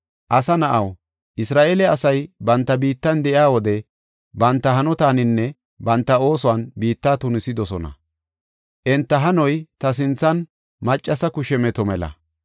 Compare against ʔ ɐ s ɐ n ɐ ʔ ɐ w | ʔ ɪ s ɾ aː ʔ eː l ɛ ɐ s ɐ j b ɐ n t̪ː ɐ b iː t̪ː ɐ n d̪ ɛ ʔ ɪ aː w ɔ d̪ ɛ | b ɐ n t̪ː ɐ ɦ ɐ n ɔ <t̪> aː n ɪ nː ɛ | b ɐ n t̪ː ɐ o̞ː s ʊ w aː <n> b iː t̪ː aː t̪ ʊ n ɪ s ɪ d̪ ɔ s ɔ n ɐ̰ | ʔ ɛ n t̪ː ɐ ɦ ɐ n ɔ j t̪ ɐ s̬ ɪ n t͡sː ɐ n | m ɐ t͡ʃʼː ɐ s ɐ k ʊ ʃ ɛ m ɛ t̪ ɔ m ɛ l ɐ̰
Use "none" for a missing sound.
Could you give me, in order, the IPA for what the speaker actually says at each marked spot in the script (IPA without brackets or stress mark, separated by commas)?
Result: t̪, n